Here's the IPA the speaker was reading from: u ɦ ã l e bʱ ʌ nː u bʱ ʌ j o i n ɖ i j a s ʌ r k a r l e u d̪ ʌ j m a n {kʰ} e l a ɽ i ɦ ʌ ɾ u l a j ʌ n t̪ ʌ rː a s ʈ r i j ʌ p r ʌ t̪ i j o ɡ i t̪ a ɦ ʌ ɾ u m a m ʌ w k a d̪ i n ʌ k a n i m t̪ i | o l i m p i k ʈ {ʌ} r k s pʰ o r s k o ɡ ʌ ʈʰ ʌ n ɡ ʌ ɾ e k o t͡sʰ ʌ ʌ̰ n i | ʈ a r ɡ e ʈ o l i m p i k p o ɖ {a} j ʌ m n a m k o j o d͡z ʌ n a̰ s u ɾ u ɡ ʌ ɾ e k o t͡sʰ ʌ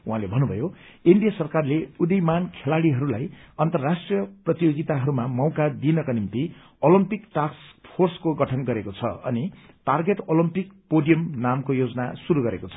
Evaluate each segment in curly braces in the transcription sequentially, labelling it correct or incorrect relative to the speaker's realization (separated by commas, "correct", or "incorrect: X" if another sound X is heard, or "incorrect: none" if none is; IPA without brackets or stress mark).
correct, incorrect: a, incorrect: i